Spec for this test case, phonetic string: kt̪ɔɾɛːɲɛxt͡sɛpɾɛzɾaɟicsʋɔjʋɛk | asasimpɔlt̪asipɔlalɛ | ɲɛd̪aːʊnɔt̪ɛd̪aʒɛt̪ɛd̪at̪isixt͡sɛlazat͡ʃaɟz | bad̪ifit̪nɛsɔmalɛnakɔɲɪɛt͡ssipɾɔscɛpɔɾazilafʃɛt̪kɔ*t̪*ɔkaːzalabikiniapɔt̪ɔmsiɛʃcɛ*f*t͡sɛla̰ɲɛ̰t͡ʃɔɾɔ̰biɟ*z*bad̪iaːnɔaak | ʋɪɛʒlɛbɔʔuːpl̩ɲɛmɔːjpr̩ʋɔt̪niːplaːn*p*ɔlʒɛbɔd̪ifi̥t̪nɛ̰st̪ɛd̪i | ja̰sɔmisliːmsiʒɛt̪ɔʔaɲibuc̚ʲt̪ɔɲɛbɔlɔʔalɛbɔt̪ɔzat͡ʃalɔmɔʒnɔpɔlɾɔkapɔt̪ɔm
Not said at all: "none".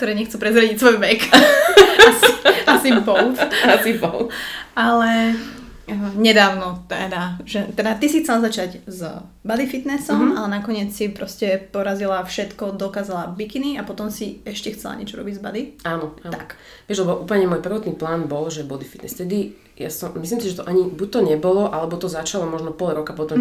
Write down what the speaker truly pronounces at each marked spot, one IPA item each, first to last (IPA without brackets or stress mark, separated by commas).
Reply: d̪, x, z, b